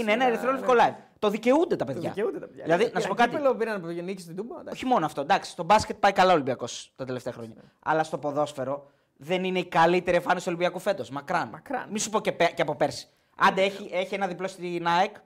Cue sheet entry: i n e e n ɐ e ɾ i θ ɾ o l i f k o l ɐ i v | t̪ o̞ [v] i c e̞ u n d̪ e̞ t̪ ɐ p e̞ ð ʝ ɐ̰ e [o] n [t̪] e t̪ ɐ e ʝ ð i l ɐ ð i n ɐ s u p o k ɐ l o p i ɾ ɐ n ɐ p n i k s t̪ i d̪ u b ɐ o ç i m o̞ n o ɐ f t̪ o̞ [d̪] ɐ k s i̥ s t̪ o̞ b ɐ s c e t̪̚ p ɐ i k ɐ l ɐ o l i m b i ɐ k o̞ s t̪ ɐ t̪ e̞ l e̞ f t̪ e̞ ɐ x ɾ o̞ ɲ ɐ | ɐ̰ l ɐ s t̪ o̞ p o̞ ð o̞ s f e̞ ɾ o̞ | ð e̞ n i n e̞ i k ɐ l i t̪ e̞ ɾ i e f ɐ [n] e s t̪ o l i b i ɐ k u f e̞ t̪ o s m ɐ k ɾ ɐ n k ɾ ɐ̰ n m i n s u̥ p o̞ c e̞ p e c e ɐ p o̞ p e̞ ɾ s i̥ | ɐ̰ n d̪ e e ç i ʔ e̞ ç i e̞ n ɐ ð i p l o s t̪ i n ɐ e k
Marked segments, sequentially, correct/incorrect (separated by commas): incorrect, incorrect, incorrect, correct, correct